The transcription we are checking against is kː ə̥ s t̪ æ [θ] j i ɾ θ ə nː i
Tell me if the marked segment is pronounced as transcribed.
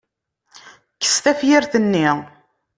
no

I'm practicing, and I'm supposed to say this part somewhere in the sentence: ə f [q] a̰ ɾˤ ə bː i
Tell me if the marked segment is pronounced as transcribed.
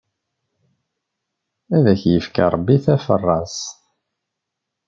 no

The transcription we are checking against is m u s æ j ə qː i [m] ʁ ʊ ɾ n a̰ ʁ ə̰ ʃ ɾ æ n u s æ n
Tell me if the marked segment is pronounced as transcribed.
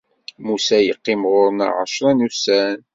yes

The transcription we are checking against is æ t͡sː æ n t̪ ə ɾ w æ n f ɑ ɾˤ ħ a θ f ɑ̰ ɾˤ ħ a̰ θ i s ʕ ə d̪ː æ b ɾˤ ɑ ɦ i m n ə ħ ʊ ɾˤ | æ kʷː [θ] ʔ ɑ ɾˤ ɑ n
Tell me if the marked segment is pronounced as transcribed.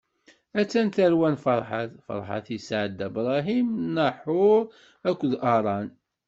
no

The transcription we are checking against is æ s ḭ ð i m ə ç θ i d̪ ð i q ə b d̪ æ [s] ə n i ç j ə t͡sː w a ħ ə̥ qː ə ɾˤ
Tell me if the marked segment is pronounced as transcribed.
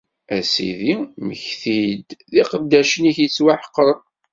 no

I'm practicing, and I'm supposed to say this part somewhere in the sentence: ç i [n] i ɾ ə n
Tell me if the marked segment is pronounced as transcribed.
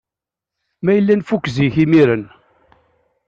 no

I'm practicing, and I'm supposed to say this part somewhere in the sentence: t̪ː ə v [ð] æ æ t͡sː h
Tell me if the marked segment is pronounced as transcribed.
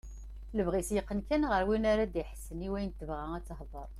no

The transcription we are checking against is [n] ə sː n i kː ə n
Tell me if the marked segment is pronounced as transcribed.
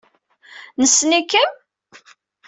yes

